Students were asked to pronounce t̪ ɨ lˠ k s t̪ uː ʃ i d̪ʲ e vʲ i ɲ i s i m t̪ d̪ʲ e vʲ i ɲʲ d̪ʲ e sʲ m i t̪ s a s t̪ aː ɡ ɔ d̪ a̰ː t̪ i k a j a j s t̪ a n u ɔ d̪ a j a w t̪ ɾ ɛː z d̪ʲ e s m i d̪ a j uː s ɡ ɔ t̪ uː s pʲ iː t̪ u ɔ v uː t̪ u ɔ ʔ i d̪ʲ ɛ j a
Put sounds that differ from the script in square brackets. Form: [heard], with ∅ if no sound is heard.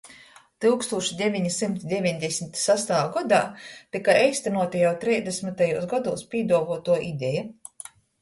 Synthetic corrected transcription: t̪ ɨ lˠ k s t̪ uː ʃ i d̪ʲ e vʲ i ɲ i s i m t̪ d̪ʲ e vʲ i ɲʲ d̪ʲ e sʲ m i t̪ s a s t̪ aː ɡ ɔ d̪ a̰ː t̪ i k a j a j s t̪ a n u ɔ [t̪] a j a w t̪ ɾ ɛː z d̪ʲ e s m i [t̪] a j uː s ɡ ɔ [d̪] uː s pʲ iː [d̪] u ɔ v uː t̪ u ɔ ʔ i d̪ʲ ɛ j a